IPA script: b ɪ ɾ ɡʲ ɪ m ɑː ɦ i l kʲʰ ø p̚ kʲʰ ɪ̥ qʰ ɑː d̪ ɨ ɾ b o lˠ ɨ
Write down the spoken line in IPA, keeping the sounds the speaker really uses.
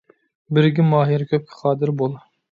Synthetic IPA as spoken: b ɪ ɾ ɡʲ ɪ m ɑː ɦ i ɾ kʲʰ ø p̚ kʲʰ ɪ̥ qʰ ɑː d̪ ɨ ɾ b o lˠ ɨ

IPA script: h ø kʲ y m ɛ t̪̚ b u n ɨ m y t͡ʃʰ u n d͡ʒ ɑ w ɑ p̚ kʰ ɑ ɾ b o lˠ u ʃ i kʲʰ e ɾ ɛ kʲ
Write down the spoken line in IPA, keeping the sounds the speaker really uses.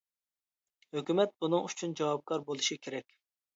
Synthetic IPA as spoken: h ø kʲ y m ɛ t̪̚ b u n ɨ ŋ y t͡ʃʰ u n d͡ʒ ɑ w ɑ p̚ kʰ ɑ ɾ b o lˠ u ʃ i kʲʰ e ɾ ɛ kʲ

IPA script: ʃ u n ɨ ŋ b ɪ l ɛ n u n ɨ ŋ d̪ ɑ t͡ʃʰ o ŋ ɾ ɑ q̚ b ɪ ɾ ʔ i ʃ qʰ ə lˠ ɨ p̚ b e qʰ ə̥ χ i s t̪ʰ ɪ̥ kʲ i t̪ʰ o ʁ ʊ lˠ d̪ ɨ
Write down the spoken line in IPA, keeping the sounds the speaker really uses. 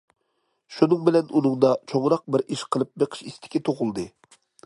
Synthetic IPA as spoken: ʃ u n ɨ ŋ b ɪ l ɛ n u n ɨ ŋ d̪ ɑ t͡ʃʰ o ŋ ɾ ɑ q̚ b ɪ ɾ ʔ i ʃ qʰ ə lˠ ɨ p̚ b e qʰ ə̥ ʃ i s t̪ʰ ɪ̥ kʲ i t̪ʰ o ʁ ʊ lˠ d̪ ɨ

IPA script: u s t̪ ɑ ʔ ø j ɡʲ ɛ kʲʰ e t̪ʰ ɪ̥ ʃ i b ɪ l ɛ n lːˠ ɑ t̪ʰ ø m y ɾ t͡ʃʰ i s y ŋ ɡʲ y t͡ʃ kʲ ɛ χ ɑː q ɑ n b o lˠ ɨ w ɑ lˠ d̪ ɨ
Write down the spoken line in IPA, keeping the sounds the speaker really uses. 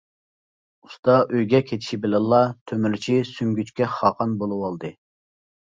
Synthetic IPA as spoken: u s t̪ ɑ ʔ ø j ɡʲ ɛ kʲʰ e t̪ʰ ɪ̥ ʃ i b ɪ l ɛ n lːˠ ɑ t̪ʰ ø m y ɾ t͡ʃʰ i s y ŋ ɡʲ y t͡ʃ kʲ ɛ χ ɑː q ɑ n b o lˠ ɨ w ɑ lˠ d̪ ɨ

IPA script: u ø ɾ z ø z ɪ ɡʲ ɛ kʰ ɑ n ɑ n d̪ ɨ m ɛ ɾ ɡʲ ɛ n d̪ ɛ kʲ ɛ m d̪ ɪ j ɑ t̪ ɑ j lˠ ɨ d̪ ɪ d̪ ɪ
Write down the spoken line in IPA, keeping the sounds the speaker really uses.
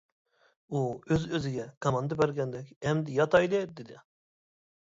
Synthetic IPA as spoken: u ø z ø z ɪ ɡʲ ɛ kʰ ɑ m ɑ n d̪ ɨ b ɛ ɾ ɡʲ ɛ n d̪ ɛ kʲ ɛ m d̪ ɪ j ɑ t̪ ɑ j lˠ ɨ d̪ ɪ d̪ ɪ

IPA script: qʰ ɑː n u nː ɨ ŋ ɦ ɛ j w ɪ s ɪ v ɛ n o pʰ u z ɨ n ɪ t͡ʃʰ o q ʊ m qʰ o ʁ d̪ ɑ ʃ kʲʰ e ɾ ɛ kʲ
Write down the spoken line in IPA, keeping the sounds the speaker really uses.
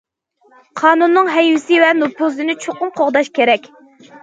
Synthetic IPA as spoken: qʰ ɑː n u nː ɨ ŋ ɦ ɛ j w ɪ s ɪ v ɛ n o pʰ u z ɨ n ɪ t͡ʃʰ o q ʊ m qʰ o ʁ d̪ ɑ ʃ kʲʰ e ɾ ɛ kʲ

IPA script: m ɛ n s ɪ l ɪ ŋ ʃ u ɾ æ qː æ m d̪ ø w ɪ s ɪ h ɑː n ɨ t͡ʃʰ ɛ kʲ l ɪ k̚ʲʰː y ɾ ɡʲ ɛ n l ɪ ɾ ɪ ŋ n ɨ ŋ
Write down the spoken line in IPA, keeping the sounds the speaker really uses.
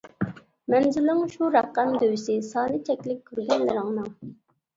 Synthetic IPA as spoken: m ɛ n z ɪ l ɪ ŋ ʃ u ɾ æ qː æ m d̪ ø w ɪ s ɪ s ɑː n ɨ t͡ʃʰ ɛ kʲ l ɪ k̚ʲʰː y ɾ ɡʲ ɛ n l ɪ ɾ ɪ ŋ n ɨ ŋ

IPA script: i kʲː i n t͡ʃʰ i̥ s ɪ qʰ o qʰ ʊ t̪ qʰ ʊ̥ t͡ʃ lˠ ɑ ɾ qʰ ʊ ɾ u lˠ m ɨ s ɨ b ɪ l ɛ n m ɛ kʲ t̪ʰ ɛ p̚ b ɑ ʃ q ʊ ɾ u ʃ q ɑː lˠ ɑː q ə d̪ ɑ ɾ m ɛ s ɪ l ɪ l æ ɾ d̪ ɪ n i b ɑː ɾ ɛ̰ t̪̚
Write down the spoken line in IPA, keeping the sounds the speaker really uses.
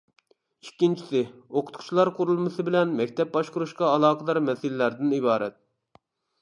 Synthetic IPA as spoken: i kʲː i n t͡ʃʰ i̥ s ɪ o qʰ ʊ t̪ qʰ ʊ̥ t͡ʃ lˠ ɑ ɾ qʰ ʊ ɾ u lˠ m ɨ s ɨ b ɪ l ɛ n m ɛ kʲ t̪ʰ ɛ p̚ b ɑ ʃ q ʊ ɾ u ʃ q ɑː lˠ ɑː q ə d̪ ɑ ɾ m ɛ s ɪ l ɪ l æ ɾ d̪ ɪ n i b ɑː ɾ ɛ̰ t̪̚

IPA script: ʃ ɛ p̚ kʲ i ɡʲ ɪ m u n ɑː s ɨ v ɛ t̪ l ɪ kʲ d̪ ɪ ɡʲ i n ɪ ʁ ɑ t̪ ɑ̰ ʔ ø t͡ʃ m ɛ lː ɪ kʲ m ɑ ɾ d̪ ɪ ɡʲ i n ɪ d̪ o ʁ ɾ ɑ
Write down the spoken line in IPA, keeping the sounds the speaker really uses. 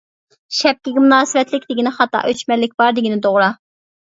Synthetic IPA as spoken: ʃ ɛ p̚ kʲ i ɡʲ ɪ m u n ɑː s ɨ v ɛ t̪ l ɪ kʲ d̪ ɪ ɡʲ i n ɪ χ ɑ t̪ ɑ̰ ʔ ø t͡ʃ m ɛ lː ɪ kʲ b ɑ ɾ d̪ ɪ ɡʲ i n ɪ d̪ o ʁ ɾ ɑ

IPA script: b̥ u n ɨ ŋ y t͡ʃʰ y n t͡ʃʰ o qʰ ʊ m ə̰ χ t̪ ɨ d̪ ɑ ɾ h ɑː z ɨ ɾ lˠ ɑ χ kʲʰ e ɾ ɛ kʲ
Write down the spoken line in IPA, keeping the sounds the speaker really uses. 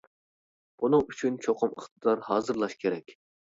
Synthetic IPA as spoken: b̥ u n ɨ ŋ y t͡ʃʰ y n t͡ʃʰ o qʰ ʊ m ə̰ χ t̪ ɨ d̪ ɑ ɾ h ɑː z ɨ ɾ lˠ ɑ ʃ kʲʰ e ɾ ɛ kʲ

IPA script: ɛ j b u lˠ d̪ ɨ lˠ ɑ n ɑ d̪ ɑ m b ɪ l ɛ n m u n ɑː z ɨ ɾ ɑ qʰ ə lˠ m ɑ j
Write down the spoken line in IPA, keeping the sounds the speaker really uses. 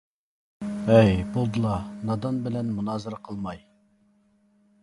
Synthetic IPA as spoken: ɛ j b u lˠ d̪ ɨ lˠ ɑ n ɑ d̪ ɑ n b ɪ l ɛ n m u n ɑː z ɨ ɾ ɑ qʰ ə lˠ m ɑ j

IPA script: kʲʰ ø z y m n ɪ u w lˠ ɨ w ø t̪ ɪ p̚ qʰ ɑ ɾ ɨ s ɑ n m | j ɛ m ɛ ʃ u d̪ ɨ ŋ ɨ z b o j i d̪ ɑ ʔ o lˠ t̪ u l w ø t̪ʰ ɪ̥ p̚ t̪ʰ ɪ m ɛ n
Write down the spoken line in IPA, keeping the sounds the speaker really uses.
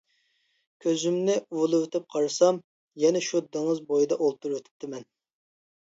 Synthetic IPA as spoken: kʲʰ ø z y m n ɪ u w lˠ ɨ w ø t̪ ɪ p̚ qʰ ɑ ɾ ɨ s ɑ m | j ɛ n ɛ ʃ u d̪ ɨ ŋ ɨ z b o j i d̪ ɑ ʔ o lˠ t̪ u ɾ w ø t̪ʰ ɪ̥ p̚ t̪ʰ ɪ m ɛ n

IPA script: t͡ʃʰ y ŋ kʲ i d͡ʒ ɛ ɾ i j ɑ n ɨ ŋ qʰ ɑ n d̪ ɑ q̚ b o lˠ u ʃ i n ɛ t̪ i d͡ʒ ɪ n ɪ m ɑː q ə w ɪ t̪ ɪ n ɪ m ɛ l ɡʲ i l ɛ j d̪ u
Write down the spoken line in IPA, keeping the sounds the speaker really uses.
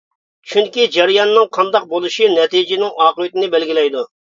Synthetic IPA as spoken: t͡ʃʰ y ŋ kʲ i d͡ʒ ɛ ɾ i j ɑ nː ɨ ŋ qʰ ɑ n d̪ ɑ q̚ b o lˠ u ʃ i n ɛ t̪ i d͡ʒ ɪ n ɪ ŋ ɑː q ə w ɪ t̪ ɪ n ɪ b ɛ l ɡʲ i l ɛ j d̪ u

